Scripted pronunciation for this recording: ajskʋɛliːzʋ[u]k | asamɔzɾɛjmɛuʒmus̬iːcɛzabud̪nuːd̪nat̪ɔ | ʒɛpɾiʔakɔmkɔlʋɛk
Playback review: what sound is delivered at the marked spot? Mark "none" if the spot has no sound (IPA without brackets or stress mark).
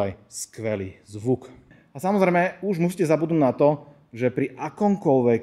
u